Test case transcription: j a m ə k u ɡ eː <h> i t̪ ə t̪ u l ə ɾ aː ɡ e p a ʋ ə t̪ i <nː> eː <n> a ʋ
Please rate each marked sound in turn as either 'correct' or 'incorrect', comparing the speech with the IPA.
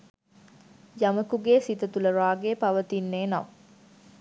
incorrect: s, correct, correct

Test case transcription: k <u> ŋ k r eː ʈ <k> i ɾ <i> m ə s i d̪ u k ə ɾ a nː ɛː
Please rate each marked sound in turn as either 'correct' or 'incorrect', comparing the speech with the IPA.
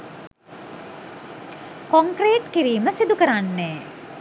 incorrect: o, correct, incorrect: iː

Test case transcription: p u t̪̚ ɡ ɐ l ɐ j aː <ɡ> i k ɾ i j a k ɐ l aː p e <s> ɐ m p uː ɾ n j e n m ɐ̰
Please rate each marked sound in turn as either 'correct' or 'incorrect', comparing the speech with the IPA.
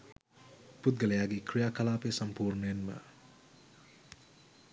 correct, correct

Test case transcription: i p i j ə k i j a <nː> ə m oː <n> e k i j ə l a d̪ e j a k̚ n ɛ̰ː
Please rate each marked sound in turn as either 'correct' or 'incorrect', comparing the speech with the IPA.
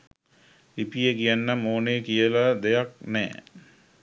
correct, correct

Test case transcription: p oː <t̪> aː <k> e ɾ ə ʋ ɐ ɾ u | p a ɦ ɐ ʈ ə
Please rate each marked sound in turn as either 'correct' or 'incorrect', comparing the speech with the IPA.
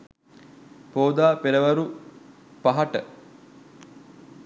incorrect: d̪, incorrect: p

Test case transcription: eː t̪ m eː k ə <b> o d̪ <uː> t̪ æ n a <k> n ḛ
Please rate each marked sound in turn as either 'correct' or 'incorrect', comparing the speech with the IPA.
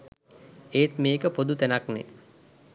incorrect: p, incorrect: u, correct

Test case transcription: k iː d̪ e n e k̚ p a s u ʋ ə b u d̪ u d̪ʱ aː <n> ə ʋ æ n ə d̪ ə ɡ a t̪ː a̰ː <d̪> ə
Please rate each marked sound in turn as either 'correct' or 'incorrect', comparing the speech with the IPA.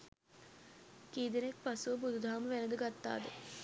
incorrect: m, correct

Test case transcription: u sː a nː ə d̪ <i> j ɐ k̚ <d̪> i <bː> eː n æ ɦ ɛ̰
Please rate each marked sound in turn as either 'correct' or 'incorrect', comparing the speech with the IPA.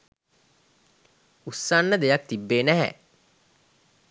incorrect: e, incorrect: t̪, correct

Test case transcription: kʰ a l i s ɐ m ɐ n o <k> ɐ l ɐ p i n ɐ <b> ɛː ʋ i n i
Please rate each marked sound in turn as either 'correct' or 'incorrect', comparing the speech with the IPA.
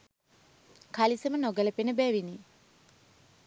incorrect: ɡ, correct

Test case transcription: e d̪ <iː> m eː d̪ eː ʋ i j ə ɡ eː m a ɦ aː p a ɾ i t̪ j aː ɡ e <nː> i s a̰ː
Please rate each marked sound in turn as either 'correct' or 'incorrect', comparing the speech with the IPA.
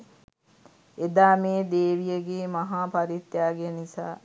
incorrect: aː, incorrect: n

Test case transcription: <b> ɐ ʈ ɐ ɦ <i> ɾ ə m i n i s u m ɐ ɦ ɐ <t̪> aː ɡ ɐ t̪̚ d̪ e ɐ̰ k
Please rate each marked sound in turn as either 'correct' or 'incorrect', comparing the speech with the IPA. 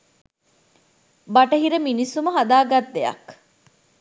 correct, correct, incorrect: d̪

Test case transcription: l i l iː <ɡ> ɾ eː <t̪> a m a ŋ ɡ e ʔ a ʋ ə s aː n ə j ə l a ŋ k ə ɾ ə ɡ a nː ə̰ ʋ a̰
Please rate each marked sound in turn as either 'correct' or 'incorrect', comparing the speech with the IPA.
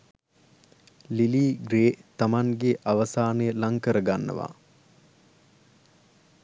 correct, correct

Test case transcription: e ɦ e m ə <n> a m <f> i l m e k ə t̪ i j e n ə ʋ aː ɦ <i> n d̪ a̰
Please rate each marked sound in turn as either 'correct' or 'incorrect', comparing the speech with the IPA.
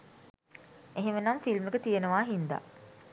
correct, correct, correct

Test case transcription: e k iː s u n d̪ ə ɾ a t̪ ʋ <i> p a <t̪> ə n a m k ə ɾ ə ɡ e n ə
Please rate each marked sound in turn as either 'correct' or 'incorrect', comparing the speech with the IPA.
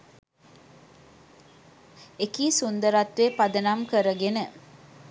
incorrect: e, incorrect: d̪

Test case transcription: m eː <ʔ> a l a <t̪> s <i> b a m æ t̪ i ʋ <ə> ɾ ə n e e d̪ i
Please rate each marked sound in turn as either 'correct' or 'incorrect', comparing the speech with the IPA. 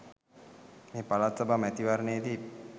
incorrect: p, correct, incorrect: a, incorrect: a

